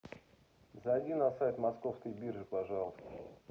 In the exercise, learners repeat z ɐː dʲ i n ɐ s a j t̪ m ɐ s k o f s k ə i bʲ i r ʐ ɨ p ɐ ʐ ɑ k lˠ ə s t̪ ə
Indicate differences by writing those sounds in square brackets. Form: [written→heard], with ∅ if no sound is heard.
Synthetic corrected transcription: z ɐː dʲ i n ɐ s a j t̪ m ɐ s k o f s k ə [i→j] bʲ i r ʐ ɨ p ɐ ʐ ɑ [k→∅] lˠ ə s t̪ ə

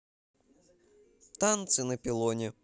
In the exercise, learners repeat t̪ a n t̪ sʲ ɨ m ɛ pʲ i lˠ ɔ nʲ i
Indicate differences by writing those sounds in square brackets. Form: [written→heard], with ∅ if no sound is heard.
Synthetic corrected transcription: t̪ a n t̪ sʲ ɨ [m→n] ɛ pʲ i lˠ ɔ nʲ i

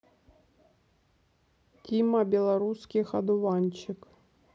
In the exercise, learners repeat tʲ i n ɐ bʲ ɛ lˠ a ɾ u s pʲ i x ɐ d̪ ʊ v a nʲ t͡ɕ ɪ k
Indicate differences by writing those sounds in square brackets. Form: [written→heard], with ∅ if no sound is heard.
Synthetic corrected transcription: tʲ i [n→m] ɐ bʲ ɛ lˠ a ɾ u s [pʲ→kʲ] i x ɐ d̪ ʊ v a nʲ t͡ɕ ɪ k

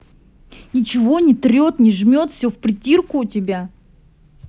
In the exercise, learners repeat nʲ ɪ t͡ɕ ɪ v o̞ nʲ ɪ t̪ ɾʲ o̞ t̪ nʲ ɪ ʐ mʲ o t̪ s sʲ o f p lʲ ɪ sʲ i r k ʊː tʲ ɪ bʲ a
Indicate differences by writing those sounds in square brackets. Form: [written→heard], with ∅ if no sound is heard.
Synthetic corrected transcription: nʲ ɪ t͡ɕ ɪ v o̞ nʲ ɪ t̪ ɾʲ o̞ t̪ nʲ ɪ ʐ mʲ o t̪ [s→f] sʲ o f p [lʲ→ɾʲ] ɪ [sʲ→tʲ] i r k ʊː tʲ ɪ bʲ a

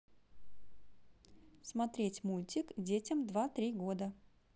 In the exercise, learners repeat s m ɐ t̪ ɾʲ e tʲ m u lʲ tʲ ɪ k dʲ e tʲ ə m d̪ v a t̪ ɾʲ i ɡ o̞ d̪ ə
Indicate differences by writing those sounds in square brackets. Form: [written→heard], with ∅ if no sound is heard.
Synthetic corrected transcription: s m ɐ t̪ ɾʲ e tʲ m u lʲ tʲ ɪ k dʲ e tʲ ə m d̪ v a t̪ ɾʲ i ɡ o̞ d̪ ə

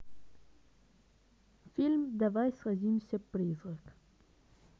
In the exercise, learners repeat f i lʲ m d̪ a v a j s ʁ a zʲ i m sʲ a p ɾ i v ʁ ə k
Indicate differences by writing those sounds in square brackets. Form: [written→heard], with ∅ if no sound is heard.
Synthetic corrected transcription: f i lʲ m d̪ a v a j s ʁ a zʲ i m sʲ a p ɾ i [v→z] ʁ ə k

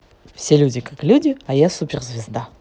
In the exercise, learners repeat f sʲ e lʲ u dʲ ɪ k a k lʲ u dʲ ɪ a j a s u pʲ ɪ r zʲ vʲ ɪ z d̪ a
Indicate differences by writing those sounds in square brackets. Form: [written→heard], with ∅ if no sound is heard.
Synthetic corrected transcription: f sʲ e lʲ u dʲ ɪ k a k lʲ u dʲ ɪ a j a s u pʲ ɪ r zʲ vʲ ɪ z d̪ a

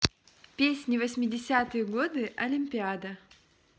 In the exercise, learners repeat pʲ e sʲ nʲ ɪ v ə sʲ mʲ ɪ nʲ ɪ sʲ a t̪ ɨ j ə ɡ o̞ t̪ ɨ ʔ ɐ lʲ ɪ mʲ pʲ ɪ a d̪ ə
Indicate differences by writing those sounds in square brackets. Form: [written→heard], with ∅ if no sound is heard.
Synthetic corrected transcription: pʲ e sʲ nʲ ɪ v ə sʲ mʲ ɪ [nʲ→dʲ] ɪ sʲ a t̪ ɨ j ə ɡ o̞ [t̪→d̪] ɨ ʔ ɐ lʲ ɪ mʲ pʲ ɪ a d̪ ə

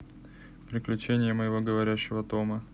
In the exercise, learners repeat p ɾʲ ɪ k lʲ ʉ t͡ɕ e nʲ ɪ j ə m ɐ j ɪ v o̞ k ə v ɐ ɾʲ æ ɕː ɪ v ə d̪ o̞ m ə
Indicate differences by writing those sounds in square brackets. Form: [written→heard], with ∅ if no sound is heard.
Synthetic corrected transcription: p ɾʲ ɪ k lʲ ʉ t͡ɕ e nʲ ɪ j ə m [ɐ→ə] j ɪ v o̞ [k→ɡ] ə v ɐ ɾʲ æ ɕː ɪ v ə [d̪→t̪] o̞ m ə

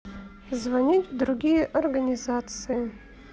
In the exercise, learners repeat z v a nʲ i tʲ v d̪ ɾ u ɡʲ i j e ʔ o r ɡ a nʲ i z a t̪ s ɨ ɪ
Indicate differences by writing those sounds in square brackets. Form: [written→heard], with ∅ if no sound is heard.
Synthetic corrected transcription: z v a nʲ i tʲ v d̪ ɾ u ɡʲ i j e ʔ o r ɡ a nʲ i z a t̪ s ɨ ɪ

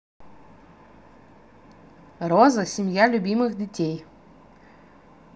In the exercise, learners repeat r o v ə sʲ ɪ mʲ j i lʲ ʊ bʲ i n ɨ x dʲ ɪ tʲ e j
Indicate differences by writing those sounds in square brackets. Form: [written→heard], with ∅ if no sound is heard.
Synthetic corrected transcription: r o [v→z] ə sʲ ɪ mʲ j [i→a] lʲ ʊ bʲ i [n→m] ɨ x dʲ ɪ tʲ e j

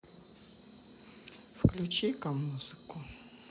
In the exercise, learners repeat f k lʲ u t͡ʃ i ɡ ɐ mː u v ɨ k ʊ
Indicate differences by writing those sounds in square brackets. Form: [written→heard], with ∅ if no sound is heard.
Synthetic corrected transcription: f k lʲ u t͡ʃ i [ɡ→k] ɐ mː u [v→z] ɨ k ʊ

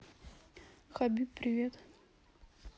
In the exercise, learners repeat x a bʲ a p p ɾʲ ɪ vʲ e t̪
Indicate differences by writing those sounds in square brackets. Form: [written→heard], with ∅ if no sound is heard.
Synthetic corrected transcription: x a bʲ [a→i] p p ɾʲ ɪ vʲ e t̪

